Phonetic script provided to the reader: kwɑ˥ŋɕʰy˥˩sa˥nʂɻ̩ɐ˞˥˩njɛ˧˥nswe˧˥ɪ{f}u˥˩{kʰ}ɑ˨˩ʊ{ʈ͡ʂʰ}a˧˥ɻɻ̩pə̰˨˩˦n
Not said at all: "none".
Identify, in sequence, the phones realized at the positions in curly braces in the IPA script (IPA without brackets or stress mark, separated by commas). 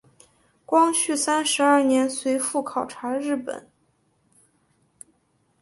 f, kʰ, ʈ͡ʂʰ